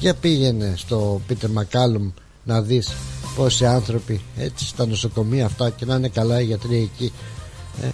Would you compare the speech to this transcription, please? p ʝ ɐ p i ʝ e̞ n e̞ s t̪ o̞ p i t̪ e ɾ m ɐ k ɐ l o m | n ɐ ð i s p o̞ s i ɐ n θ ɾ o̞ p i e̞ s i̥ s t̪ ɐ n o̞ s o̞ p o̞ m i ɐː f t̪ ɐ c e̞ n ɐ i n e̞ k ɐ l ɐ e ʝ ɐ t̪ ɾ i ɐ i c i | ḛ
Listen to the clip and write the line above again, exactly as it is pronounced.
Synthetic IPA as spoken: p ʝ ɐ p i ʝ e̞ n e̞ s t̪ o̞ p i t̪ e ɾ m ɐ k ɐ l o m | n ɐ ð i s p o̞ s i ɐ n θ ɾ o̞ p i e̞ t͡s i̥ s t̪ ɐ n o̞ s o̞ k o̞ m i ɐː f t̪ ɐ c e̞ n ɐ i n e̞ k ɐ l ɐ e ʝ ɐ t̪ ɾ i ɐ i c i | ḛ